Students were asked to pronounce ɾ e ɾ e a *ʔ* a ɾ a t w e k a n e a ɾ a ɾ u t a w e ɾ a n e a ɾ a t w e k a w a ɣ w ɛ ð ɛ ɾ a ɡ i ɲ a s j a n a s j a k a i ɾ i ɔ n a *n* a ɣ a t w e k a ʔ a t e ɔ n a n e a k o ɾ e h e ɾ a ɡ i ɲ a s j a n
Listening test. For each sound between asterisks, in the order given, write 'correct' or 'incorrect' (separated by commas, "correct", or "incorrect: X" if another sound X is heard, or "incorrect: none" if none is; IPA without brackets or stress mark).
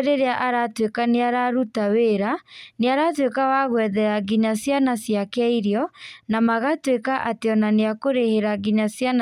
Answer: correct, incorrect: m